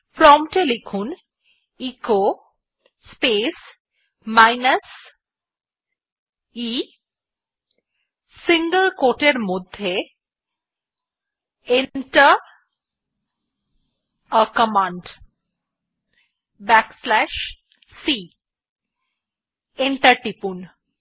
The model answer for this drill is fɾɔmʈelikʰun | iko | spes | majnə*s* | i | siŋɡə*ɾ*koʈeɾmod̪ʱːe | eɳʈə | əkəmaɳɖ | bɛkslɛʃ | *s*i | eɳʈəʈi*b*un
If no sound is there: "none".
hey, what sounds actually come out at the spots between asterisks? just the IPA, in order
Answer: s, l, s, p

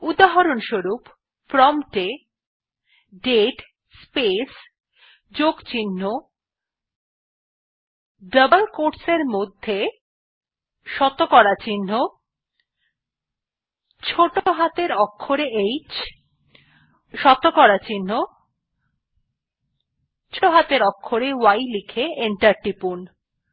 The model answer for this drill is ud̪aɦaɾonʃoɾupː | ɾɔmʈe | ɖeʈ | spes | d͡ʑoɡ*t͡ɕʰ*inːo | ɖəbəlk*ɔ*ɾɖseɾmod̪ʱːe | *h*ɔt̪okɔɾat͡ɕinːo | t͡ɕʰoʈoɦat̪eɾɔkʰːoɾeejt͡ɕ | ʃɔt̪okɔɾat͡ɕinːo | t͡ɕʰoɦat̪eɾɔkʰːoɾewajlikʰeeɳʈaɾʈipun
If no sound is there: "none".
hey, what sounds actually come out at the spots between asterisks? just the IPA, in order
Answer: t͡ɕ, o, ʃ

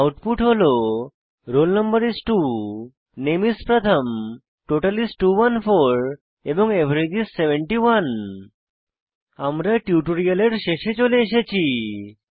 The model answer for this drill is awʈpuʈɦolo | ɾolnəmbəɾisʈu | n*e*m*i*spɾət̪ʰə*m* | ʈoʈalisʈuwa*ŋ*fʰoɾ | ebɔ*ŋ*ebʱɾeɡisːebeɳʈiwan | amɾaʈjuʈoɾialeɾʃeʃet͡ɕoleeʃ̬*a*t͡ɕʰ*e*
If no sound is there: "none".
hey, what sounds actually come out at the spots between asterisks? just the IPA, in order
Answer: e, i, m, n, ŋ, e, i

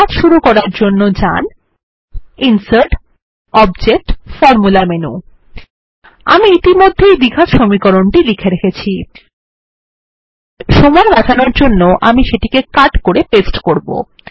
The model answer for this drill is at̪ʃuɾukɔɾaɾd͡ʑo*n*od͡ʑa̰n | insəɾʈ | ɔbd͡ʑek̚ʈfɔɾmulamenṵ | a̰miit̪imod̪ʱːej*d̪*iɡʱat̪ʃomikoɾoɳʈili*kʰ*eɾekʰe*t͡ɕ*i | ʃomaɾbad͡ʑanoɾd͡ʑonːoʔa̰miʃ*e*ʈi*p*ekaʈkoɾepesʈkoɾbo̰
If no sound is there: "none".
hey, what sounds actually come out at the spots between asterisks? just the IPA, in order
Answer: nː, d̪, kʰ, t͡ɕʰ, e, k

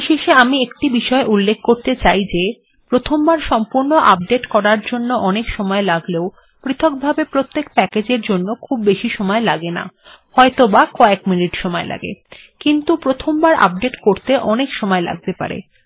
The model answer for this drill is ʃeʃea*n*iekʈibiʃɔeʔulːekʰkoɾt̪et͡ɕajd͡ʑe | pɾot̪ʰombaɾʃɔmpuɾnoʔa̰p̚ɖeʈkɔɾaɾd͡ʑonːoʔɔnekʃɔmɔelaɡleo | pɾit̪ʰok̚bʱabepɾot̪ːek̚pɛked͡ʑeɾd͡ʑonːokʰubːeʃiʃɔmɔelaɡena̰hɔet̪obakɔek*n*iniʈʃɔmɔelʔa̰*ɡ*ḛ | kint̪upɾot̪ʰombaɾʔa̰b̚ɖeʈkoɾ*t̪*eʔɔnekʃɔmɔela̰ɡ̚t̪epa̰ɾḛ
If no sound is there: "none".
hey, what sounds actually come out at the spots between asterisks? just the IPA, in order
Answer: m, m, ɡ, t̪

